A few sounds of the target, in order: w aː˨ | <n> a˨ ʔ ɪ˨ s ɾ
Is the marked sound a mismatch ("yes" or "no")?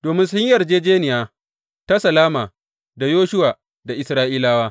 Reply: yes